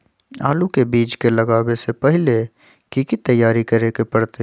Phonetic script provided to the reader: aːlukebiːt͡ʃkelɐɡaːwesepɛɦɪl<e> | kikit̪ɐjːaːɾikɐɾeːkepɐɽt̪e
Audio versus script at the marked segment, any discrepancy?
no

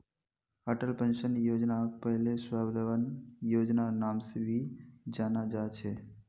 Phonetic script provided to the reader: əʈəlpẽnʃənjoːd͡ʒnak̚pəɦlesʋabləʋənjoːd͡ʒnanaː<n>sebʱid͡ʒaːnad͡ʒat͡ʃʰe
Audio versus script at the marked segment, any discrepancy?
yes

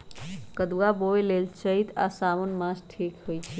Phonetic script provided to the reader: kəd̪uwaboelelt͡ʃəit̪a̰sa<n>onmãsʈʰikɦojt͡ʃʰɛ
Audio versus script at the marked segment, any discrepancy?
yes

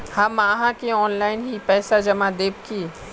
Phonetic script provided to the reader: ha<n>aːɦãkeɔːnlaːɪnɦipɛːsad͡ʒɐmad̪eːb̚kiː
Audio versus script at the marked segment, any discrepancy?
yes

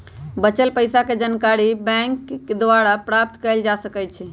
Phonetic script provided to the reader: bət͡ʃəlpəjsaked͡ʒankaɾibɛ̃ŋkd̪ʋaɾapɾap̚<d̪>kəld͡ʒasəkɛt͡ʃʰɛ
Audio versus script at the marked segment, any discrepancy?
yes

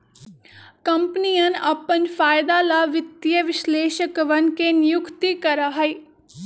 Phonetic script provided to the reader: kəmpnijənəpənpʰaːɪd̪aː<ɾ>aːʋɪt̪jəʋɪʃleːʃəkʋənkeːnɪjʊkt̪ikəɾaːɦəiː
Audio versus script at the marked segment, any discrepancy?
yes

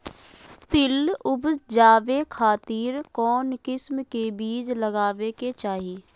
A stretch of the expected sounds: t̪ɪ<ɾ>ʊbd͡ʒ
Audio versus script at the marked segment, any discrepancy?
yes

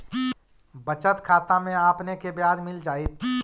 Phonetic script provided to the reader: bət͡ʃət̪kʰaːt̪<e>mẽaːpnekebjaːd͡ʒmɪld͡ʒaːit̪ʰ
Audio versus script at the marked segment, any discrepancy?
yes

